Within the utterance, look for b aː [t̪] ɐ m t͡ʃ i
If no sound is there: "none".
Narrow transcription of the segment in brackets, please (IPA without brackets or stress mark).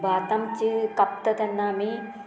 t̪